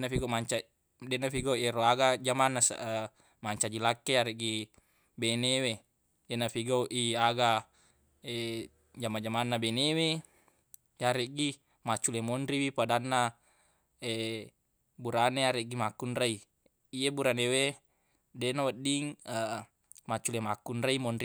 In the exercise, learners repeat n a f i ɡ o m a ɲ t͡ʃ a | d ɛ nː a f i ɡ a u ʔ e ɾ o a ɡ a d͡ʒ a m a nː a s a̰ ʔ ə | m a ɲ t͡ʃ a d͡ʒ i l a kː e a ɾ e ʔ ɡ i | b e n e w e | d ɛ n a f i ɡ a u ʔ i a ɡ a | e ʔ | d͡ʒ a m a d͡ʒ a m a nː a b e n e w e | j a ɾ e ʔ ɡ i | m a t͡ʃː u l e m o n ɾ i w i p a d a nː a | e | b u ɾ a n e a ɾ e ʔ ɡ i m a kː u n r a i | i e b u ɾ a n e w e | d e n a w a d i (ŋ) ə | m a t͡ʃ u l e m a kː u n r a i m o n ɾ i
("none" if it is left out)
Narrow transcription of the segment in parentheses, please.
ŋ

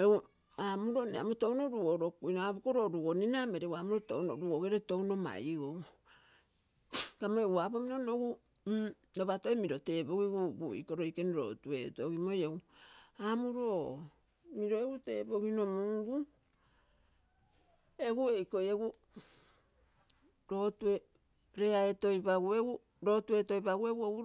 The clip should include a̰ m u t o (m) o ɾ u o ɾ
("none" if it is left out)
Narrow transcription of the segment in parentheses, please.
n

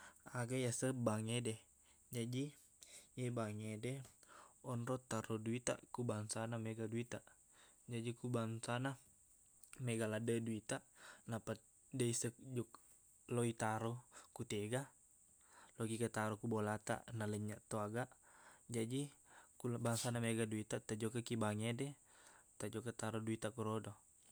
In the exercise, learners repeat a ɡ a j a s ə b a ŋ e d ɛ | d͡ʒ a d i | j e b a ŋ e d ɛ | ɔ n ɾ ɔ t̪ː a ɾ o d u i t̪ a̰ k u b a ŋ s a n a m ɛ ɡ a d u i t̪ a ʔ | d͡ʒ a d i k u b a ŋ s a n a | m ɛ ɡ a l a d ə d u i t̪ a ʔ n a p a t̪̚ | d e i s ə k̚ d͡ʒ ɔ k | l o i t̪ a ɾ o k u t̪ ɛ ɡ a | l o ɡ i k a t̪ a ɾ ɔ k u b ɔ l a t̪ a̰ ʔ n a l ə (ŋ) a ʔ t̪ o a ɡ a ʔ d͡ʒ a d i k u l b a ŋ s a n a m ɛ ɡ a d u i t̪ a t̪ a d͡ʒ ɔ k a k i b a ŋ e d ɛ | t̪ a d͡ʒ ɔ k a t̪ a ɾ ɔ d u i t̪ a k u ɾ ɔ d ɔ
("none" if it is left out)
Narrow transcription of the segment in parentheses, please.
ɲ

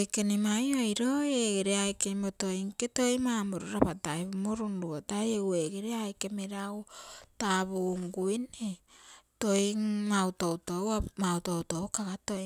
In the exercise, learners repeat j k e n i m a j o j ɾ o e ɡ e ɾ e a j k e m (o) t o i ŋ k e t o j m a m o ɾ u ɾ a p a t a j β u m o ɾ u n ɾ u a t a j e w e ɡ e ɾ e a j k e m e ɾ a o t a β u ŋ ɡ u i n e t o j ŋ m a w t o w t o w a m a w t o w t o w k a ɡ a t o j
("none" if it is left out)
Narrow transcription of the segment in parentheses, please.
o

